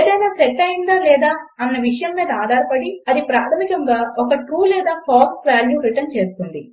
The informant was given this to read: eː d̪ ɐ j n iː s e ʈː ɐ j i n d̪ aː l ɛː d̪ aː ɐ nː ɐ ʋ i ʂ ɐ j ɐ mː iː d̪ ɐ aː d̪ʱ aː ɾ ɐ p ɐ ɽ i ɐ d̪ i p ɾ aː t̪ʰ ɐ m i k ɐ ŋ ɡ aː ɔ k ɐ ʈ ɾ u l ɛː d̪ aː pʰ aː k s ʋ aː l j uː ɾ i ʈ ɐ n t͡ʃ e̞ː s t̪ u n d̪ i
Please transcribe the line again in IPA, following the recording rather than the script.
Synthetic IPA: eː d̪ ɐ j n aː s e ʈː ɐ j i n d̪ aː l ɛː d̪ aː ɐ nː ɐ ʋ i ʂ ɐ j ɐ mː iː d̪ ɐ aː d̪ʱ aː ɾ ɐ p ɐ ɽ i ɐ d̪ i p ɾ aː t̪ʰ ɐ m i k ɐ ŋ ɡ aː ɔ k ɐ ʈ ɾ uː l ɛː d̪ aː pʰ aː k s ʋ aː l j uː ɾ i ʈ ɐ n t͡ʃ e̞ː s t̪ u n d̪ i